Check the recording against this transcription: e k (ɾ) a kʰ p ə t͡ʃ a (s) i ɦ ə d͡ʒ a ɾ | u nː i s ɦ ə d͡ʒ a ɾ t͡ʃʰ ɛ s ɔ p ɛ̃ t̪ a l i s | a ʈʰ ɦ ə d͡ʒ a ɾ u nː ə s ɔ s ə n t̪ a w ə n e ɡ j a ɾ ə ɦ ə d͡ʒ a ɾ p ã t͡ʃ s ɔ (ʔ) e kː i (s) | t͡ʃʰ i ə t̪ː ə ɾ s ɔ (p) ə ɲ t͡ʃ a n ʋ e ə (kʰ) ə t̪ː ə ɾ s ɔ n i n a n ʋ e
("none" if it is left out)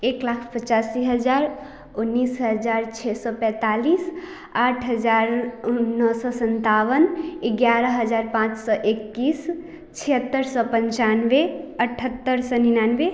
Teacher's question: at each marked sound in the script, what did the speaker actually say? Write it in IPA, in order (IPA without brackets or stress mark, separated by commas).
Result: l, s, ʔ, s, p, ʈʰ